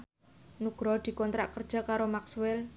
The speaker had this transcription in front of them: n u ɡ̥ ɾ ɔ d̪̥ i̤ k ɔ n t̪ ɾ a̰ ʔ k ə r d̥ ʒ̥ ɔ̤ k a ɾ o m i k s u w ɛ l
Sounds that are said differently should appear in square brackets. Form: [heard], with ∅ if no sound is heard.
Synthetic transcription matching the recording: n u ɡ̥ ɾ ɔ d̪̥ i̤ k ɔ n t̪ ɾ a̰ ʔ k ə r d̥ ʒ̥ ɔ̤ k a ɾ o m [a] k s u w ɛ l